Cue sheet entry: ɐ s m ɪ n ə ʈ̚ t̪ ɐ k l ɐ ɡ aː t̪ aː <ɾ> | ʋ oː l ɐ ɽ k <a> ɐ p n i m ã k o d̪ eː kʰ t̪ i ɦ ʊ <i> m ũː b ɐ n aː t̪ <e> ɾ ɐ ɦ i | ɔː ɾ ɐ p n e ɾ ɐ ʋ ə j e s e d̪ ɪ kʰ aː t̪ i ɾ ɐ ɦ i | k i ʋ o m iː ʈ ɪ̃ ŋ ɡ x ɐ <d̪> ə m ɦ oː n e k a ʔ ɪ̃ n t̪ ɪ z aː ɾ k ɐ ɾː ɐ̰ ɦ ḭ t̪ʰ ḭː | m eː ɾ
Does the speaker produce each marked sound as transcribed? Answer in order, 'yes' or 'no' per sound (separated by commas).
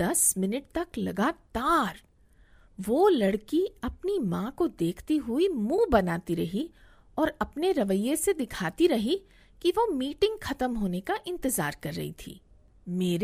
yes, no, yes, no, no